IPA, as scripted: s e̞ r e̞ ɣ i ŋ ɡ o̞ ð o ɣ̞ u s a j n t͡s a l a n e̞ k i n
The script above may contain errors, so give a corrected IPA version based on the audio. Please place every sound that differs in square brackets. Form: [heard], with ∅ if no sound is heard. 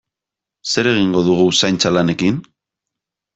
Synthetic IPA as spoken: s e̞ [ɾ] e̞ ɣ i ŋ ɡ o̞ ð [u] ɣ̞ u s a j n t͡s a l a n e̞ k i n

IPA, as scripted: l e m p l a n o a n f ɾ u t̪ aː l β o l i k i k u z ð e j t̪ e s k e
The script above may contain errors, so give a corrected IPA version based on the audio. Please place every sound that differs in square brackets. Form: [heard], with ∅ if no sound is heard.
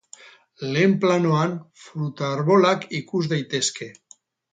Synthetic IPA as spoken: l e m p l a n o a n f ɾ u t̪ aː [ɾ] β o l [a] k i k u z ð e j t̪ e s k e

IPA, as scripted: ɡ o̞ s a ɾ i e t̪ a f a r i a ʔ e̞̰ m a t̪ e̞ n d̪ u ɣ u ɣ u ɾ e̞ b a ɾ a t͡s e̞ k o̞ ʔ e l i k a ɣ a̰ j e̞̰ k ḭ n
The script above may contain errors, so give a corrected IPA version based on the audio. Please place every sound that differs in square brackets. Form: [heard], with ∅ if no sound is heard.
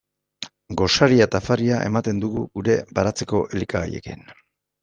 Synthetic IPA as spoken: ɡ o̞ s a ɾ i [a] t̪ a f a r i a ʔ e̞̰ m a t̪ e̞ n d̪ u ɣ u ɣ u ɾ e̞ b a ɾ a t͡s e̞ k o̞ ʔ e l i k a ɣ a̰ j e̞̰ k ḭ n

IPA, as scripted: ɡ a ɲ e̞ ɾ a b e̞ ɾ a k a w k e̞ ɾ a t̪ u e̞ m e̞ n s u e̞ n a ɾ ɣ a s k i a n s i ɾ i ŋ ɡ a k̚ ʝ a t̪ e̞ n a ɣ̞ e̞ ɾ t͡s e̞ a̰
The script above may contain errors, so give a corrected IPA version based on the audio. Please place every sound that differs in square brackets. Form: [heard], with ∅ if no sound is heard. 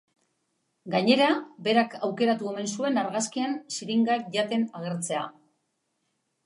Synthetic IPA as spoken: ɡ a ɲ e̞ ɾ a b e̞ ɾ a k a w k e̞ ɾ a t̪ u e̞ m e̞ n s u e̞ n a ɾ ɣ a s k i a n s i ɾ i ŋ ɡ a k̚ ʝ a t̪ e̞ n a ɣ̞ e̞ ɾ t͡s e̞ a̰

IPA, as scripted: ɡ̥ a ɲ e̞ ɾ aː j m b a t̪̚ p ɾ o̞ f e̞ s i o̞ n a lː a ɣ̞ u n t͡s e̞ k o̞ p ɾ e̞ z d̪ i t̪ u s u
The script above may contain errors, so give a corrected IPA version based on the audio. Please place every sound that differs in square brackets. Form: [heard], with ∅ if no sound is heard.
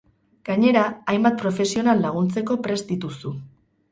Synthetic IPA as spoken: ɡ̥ a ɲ e̞ ɾ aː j m b a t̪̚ p ɾ o̞ f e̞ s i o̞ n a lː a ɣ̞ u n t͡s e̞ k o̞ p ɾ e̞ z d̪ i t̪ u s u

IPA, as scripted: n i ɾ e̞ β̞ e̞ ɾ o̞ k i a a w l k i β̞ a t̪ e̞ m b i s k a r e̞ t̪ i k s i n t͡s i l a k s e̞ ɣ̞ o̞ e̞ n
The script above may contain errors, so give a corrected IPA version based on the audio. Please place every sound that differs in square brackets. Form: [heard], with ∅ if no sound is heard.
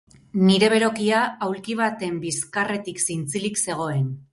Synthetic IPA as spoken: n i ɾ e̞ β̞ e̞ ɾ o̞ k i a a w l k i β̞ a t̪ e̞ m b i s k a r e̞ t̪ i k s i n t͡s i l [i] k s e̞ ɣ̞ o̞ e̞ n

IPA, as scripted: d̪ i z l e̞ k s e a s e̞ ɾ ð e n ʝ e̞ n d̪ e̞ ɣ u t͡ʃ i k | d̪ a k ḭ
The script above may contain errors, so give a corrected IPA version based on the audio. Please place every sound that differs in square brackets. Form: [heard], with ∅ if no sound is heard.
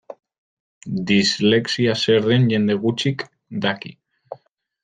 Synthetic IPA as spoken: d̪ i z l e̞ k s [i] a s e̞ ɾ ð e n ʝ e̞ n d̪ e̞ ɣ u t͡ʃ i k | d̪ a k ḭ

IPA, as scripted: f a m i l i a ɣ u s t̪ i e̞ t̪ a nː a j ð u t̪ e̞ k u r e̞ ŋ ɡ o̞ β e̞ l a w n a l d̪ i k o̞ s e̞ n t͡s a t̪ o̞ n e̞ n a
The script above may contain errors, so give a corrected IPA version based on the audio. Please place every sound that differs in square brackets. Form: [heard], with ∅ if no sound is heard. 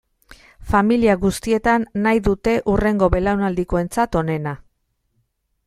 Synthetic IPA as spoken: f a m i l i a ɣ u s t̪ i e̞ t̪ a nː a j ð u t̪ e̞ [ʔ] u r e̞ ŋ ɡ o̞ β e̞ l a w n a l d̪ i k o̞ [∅] e̞ n t͡s a t̪ o̞ n e̞ n a

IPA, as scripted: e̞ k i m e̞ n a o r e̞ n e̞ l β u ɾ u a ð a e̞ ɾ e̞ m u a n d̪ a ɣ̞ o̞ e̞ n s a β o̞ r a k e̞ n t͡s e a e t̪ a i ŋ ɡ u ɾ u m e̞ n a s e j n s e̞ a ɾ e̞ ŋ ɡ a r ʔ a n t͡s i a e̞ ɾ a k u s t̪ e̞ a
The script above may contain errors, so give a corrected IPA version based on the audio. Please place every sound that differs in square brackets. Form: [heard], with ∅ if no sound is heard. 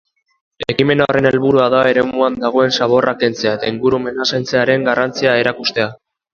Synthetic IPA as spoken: e̞ k i m e̞ n a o r e̞ n e̞ l β u ɾ u a ð a e̞ ɾ e̞ m u a n d̪ a ɣ̞ o̞ e̞ n s a β o̞ r a k e̞ n t͡s e a e t̪ a i ŋ ɡ u ɾ u m e̞ n a s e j n [t͡s] e̞ a ɾ e̞ ŋ ɡ a r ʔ a n t͡s i a e̞ ɾ a k u s t̪ e̞ a

